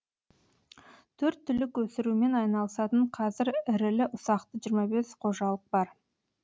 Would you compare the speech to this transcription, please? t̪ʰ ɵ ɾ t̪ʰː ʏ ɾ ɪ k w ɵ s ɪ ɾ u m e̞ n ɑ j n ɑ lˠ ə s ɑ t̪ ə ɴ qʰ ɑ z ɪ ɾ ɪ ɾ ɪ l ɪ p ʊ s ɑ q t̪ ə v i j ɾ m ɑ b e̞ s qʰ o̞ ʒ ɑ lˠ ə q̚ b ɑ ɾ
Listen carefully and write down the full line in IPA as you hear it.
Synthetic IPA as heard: t̪ʰ ɵ ɾ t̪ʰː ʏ l ɪ k w ɵ s ɪ ɾ u m e̞ n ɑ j n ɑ lˠ ə s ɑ t̪ ə ɴ qʰ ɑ z ɪ ɾ ɪ ɾ ɪ l ɪ ʔ ʊ s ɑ q t̪ ə ʒ i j ɾ m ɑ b e̞ s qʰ o̞ ʒ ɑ lˠ ə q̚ b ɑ ɾ